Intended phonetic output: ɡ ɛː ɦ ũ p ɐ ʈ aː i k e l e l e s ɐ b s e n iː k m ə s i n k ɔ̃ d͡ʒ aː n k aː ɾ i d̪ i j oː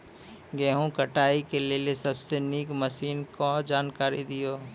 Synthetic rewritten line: ɡ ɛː ɦ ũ k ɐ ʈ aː i k e l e l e s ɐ b s e n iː k m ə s iː n k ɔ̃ d͡ʒ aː n k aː ɾ i d̪ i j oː

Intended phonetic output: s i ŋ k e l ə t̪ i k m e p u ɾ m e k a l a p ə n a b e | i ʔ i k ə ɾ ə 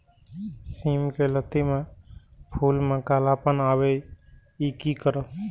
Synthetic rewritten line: s i m k e l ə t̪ i m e pʰ u l m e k a l a p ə n a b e | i k i k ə ɾ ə

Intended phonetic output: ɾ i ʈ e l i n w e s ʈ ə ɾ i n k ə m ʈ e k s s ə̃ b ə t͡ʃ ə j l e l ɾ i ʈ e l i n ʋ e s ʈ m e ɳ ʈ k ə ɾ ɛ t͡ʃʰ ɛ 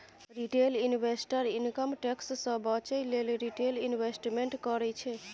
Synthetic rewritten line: ɾ i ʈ e l i n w e s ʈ ə ɾ i n k ə m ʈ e k s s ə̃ b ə t͡ʃ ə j l e l ɾ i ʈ e l i n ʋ e s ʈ m e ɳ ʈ k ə ɾ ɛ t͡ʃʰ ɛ

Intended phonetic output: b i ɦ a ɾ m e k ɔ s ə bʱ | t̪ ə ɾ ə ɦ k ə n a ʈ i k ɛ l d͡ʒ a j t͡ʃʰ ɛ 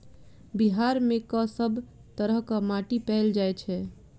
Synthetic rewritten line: b i ɦ a ɾ m e k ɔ s ə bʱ | t̪ ə ɾ ə ɦ k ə m a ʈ i p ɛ l d͡ʒ a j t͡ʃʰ ɛ

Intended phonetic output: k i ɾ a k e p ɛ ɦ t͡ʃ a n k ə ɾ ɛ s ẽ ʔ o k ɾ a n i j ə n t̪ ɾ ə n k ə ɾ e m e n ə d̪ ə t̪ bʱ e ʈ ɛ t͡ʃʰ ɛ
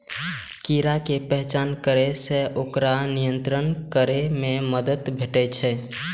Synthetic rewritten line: k i ɾ a k e p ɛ ɦ t͡ʃ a n k ə ɾ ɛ s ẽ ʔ o k ɾ a n i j ə n t̪ ɾ ə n k ə ɾ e m e m ə d̪ ə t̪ bʱ e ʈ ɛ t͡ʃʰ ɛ

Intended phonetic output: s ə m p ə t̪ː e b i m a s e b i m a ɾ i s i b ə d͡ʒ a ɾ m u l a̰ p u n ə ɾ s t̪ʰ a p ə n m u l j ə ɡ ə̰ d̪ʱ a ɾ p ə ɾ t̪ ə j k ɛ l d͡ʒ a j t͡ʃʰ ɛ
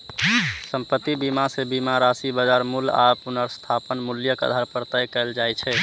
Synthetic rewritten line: s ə m p ə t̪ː i b i m a s e b i m a ɾ a s i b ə d͡ʒ a ɾ m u l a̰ p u n ə ɾ s t̪ʰ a p ə n m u l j ə k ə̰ d̪ʱ a ɾ p ə ɾ t̪ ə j k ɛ l d͡ʒ a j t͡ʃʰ ɛ

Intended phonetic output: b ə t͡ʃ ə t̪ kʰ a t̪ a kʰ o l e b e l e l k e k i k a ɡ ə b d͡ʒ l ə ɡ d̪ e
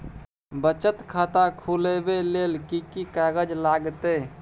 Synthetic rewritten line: b ə t͡ʃ ə t̪ kʰ a t̪ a kʰ u l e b e l e l k i k i k a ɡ ə d͡ʒ l a ɡ t̪ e

